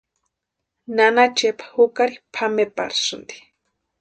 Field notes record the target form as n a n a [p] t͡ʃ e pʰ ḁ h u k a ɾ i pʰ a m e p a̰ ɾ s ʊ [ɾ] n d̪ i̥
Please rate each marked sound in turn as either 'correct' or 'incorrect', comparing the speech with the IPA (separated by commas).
incorrect, incorrect